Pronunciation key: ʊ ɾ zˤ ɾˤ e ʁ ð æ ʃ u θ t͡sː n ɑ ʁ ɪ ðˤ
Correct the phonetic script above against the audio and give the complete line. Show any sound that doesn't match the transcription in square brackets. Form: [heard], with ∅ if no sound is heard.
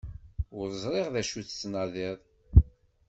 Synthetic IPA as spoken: ʊ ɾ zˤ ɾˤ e ʁ ð æ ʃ u θ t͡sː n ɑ [ð] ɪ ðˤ

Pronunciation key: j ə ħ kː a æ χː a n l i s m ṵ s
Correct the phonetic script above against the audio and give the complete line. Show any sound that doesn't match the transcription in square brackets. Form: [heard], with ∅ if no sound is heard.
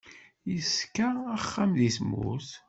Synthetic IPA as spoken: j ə [s] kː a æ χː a [m] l i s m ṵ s

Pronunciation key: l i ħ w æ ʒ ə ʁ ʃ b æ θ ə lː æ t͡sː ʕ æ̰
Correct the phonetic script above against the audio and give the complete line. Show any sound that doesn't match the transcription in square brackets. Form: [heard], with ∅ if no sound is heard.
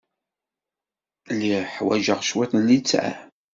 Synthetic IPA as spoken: l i ħ w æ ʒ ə ʁ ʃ [w] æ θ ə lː [i] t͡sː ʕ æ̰

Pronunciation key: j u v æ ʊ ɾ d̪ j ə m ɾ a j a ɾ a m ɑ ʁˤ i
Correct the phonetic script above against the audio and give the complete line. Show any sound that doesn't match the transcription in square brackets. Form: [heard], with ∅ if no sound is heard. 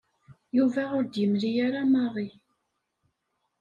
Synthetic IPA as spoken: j u v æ ʊ ɾ d̪ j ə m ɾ [i] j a ɾ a m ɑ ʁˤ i

